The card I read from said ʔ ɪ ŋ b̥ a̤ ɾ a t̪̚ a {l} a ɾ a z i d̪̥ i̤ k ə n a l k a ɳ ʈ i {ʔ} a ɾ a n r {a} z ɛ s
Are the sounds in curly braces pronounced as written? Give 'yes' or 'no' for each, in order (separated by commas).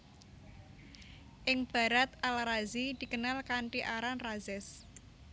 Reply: yes, yes, yes